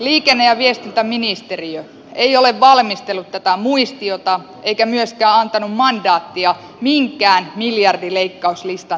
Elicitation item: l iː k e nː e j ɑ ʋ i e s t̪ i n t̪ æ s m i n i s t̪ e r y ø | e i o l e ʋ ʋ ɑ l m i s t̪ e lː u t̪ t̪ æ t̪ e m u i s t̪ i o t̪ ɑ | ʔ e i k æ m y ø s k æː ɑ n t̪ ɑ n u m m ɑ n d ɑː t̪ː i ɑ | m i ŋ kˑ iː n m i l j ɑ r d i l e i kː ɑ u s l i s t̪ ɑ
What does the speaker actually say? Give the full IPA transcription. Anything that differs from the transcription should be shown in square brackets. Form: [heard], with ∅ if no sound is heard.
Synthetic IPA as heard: l iː k e nː e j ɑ ʋ i e s t̪ i n t̪ æ [∅] m i n i s t̪ e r [i] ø | e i o l e ʋ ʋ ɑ l m i s t̪ e lː u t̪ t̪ æ t̪ [æ] m u i s t̪ i o t̪ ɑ | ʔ e i k æ m y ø s k æː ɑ n t̪ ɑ n u m m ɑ n d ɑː t̪ː i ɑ | m i ŋ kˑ [æː] n m i l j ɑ r d i l e i kː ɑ u s l i s t̪ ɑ